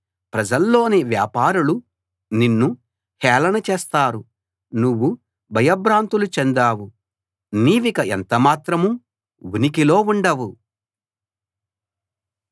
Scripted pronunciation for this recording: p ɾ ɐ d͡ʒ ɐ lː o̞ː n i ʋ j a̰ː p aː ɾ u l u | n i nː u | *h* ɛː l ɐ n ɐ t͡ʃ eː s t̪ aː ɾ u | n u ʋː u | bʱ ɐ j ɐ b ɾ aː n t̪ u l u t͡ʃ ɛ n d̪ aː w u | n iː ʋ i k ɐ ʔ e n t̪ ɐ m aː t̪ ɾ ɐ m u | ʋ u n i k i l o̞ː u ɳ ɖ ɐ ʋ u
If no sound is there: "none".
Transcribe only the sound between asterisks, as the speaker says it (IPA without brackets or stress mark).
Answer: h